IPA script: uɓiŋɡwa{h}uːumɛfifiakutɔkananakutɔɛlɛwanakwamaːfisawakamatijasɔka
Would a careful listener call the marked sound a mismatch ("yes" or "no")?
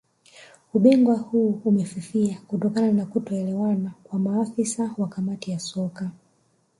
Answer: no